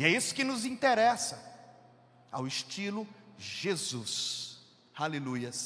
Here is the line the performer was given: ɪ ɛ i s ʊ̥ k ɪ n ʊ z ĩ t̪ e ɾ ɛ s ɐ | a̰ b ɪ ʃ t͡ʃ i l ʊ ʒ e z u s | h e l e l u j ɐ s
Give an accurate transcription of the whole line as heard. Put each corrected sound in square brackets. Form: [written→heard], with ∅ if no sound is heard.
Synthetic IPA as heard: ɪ ɛ i s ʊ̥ k ɪ n ʊ z ĩ t̪ e ɾ ɛ s ɐ | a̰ [b→w] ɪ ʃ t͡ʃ i l ʊ ʒ e z u s | h [e→a] l e l u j ɐ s